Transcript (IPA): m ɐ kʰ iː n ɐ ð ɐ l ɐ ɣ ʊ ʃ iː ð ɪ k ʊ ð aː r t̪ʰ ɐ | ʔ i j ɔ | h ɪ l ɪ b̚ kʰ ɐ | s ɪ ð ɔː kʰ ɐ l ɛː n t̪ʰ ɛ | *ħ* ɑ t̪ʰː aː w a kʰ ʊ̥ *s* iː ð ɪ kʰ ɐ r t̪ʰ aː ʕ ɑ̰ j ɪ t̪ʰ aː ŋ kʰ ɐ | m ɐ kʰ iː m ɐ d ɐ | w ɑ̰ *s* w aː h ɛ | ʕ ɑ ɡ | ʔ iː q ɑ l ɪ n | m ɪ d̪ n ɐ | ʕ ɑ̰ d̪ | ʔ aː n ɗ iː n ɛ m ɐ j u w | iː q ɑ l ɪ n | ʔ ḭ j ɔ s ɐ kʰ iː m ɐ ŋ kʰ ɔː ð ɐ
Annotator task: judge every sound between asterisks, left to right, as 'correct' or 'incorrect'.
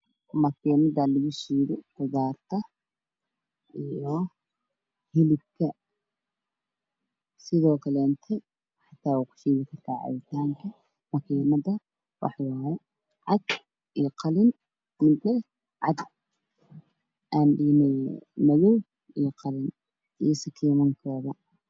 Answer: correct, incorrect: ʃ, incorrect: ħ

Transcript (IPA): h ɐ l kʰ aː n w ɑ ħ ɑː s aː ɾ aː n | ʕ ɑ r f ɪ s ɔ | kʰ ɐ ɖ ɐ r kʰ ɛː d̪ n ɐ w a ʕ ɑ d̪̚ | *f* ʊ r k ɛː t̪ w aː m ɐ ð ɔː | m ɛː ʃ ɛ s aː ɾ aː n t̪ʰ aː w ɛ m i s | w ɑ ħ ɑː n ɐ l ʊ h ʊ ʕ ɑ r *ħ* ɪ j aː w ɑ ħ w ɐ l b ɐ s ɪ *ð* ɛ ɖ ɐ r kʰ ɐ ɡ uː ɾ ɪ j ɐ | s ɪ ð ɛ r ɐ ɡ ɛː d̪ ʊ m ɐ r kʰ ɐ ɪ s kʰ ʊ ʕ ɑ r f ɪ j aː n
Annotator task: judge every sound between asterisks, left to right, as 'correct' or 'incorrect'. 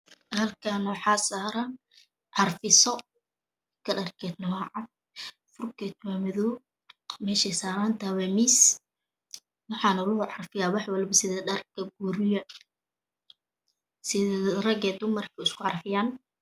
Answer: correct, incorrect: f, correct

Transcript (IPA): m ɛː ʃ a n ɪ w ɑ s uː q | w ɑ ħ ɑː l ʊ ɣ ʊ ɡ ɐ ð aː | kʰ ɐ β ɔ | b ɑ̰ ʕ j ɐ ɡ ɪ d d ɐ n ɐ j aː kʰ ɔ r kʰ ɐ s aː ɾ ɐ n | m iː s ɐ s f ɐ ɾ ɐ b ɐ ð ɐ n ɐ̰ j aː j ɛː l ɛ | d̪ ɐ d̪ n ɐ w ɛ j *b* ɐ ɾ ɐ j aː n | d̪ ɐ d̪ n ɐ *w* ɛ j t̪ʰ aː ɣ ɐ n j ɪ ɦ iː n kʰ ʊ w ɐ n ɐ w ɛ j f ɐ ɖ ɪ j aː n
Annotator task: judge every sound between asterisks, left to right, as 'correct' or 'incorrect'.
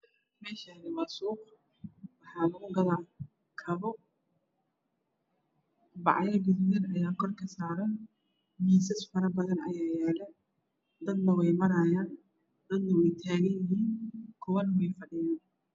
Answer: incorrect: m, correct

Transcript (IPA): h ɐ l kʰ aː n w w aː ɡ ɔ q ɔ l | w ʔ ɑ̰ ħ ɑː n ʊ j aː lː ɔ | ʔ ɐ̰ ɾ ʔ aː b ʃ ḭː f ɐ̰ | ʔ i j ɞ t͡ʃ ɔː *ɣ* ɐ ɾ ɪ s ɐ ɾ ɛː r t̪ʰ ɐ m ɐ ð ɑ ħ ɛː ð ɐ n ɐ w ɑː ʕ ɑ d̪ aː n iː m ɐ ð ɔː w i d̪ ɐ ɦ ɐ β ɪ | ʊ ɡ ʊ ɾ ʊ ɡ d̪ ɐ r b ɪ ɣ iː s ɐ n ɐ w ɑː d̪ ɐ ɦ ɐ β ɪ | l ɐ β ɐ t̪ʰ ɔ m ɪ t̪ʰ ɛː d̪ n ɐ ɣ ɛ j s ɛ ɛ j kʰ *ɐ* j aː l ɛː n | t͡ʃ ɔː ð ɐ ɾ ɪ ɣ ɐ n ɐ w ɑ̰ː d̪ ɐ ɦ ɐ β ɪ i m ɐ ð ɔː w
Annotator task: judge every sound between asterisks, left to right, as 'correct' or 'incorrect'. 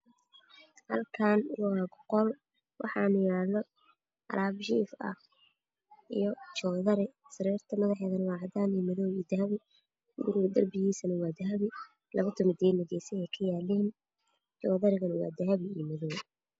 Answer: incorrect: ð, correct

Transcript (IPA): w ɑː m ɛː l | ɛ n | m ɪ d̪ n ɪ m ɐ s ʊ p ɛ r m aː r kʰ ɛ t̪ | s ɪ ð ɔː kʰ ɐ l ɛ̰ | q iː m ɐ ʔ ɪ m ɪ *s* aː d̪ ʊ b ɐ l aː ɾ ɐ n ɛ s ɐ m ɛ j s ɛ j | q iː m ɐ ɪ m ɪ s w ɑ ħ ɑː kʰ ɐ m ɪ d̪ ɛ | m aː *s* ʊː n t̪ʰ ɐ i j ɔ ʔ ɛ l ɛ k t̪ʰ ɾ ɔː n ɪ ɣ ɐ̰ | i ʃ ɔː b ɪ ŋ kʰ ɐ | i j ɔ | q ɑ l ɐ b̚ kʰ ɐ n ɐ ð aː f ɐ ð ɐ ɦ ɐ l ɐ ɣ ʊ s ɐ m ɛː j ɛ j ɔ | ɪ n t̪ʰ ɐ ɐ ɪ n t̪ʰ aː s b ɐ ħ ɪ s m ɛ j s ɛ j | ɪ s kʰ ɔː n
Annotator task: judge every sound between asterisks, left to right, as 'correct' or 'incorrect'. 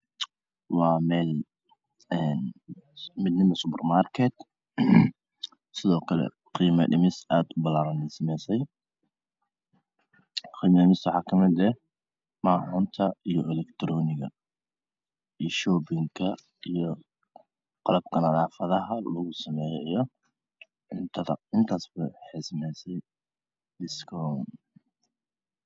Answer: correct, incorrect: ħ

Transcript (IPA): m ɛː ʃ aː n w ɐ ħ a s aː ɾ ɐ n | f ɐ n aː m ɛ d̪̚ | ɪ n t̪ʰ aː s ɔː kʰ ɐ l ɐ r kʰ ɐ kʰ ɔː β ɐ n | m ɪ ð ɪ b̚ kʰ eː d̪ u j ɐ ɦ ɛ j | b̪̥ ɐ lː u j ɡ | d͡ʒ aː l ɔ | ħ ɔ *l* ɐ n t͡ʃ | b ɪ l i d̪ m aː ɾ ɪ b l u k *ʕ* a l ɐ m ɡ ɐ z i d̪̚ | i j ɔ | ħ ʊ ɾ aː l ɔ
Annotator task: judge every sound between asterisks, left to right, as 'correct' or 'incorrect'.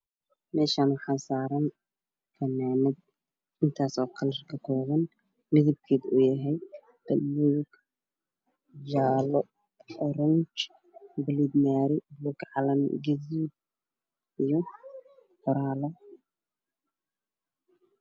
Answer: incorrect: ɾ, correct

